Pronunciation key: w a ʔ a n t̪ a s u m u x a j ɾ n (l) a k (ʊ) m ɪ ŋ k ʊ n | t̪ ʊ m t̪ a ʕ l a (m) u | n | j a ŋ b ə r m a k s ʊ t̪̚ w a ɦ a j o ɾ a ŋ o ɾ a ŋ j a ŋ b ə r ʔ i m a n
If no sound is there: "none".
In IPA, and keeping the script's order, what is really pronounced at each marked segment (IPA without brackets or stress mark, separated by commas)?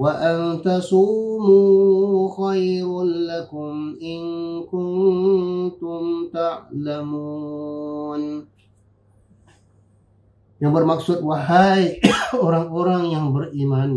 l, ʊ, m